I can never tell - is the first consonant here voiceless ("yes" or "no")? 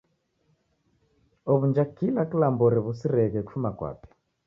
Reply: no